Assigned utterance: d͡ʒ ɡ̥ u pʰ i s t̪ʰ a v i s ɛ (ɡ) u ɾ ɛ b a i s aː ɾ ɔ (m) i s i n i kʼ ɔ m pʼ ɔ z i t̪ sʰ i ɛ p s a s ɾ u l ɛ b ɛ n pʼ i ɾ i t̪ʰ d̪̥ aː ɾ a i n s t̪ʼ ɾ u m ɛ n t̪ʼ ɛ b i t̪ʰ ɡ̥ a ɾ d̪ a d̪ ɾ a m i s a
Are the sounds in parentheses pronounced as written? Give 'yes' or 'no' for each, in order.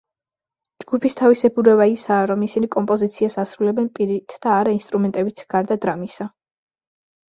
no, yes

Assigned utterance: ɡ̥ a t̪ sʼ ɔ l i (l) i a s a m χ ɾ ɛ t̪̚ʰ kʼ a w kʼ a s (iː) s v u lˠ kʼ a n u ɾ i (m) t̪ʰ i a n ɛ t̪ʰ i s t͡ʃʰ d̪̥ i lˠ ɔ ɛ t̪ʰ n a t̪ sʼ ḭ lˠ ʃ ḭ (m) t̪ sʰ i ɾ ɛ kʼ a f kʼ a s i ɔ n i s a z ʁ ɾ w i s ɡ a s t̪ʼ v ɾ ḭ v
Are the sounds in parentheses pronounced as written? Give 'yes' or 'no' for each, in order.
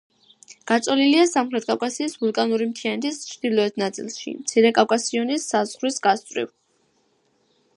yes, yes, yes, yes

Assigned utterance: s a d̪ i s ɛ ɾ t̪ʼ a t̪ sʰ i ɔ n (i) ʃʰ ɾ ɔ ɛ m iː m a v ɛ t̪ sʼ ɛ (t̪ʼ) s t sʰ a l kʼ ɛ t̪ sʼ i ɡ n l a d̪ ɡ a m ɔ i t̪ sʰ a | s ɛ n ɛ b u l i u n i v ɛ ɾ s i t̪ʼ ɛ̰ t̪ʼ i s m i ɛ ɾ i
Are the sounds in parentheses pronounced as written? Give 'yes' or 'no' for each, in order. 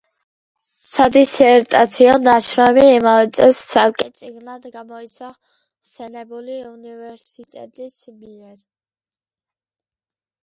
no, no

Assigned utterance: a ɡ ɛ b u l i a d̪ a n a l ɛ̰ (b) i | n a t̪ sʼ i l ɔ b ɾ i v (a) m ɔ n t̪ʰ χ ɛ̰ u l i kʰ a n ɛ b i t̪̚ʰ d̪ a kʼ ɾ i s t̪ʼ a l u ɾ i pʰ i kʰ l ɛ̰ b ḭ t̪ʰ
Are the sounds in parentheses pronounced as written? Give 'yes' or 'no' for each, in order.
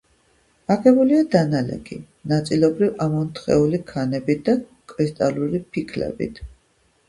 no, yes

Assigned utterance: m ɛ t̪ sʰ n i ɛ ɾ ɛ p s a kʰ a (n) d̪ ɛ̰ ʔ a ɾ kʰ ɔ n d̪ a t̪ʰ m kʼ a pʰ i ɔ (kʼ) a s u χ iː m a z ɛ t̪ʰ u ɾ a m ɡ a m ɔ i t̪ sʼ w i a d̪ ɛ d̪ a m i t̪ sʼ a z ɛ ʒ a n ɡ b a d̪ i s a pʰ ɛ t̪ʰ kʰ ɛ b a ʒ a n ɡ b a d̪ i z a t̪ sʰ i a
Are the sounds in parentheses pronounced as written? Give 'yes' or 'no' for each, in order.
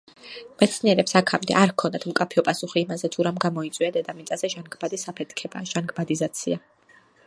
no, no

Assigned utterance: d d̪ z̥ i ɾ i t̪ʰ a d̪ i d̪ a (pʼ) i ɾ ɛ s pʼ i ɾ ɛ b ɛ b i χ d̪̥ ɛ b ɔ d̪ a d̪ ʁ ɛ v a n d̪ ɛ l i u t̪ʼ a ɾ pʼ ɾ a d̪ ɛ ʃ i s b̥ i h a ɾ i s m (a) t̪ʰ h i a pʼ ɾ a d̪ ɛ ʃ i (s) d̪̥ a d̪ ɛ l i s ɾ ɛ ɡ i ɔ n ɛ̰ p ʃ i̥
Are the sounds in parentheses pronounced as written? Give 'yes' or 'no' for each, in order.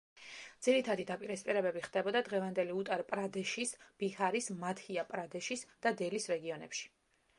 yes, yes, yes

